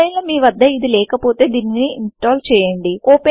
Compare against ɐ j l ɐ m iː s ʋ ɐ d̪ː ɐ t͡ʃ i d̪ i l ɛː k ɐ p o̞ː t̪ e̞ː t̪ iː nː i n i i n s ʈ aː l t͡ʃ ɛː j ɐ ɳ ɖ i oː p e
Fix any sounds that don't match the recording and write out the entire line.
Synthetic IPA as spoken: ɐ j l ɐ m iː ʋ ɐ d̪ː ɐ i d̪ i l ɛː k ɐ p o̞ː t̪ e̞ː d̪ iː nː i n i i n s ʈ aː l t͡ʃ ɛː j ɐ ɳ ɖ i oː p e